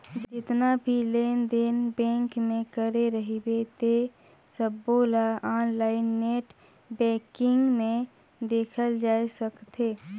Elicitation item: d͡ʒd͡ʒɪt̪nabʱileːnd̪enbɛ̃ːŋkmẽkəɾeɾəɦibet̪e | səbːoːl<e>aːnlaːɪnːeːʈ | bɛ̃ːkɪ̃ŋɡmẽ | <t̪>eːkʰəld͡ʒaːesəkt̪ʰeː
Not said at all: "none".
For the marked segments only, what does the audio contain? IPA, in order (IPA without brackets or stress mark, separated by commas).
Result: a, d̪